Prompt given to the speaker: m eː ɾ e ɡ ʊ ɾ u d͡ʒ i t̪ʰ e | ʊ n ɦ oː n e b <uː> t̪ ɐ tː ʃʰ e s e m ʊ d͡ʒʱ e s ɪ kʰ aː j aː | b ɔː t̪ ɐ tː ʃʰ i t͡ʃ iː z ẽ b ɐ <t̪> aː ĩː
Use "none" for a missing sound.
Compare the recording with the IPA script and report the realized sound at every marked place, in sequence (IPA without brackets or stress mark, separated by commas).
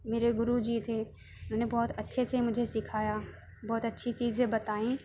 ɔː, t̪